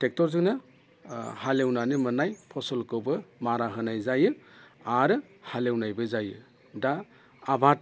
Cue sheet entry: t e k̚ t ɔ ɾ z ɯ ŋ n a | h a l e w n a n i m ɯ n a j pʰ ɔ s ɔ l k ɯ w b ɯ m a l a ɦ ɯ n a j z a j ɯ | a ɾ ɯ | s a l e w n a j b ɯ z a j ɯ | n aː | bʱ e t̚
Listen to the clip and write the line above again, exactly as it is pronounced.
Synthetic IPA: t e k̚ t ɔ ɾ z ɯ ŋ n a | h a l e w n a n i m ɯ n a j pʰ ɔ s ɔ l k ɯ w b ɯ m a ɾ a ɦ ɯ n a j z a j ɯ | a ɾ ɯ | h a l e w n a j b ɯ z a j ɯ | d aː | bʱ a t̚